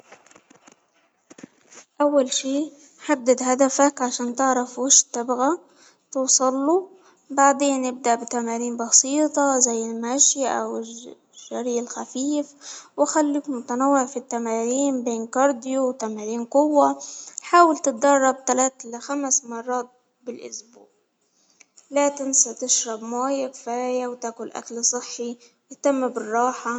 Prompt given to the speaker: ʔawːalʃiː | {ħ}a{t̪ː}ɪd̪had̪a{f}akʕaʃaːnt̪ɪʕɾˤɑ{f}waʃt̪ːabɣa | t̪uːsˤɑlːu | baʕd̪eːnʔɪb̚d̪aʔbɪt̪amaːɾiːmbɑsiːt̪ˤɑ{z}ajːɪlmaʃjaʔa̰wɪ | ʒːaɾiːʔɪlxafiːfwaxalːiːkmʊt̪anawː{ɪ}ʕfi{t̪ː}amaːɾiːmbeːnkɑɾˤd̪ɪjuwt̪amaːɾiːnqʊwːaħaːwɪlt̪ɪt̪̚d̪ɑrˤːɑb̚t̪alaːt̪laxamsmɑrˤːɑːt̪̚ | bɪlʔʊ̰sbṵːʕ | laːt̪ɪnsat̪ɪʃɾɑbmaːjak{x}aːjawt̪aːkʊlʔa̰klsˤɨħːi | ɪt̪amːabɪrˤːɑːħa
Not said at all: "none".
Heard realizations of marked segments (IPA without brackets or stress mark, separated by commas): ħ, d̪ː, f, f, z, ɪ, t̪ː, f